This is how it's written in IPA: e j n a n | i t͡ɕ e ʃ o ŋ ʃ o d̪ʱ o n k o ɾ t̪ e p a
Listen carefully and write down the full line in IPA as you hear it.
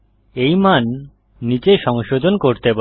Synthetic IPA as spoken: e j m a nː | i t͡ɕ e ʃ ɔ ŋ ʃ o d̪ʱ o n k o ɾ t̪ e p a